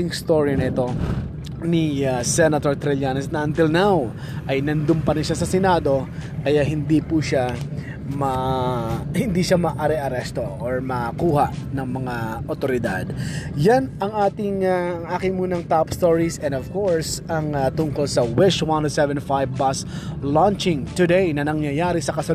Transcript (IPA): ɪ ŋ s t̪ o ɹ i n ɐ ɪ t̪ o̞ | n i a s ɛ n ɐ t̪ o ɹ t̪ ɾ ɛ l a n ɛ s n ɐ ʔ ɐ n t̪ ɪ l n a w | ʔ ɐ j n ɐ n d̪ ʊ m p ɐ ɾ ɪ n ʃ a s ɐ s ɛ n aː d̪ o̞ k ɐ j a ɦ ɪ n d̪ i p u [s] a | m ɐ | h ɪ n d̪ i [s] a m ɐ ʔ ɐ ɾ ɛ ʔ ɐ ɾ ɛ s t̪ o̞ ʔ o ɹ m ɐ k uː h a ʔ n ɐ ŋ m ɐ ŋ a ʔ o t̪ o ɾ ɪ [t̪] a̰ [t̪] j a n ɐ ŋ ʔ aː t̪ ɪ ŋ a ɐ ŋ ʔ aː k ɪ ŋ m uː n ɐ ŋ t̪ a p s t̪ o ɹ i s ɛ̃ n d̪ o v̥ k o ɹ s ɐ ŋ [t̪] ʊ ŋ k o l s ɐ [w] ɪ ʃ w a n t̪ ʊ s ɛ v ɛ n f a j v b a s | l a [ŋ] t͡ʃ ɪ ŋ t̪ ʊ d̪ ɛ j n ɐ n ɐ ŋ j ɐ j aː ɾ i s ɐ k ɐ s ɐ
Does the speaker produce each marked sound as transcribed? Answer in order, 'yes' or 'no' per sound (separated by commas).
no, no, no, no, yes, yes, no